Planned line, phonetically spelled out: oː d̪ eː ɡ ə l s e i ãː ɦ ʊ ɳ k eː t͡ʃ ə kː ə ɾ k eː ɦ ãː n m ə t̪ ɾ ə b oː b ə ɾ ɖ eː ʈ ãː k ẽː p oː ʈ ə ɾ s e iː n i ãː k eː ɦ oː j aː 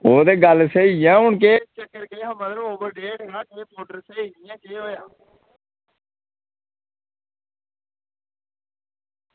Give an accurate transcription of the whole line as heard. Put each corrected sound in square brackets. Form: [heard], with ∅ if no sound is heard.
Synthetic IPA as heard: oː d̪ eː ɡ ə l s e i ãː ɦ ʊ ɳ k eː t͡ʃ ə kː ə ɾ k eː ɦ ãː [∅] m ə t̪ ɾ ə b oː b ə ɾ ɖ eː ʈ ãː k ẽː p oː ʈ ə ɾ s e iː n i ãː k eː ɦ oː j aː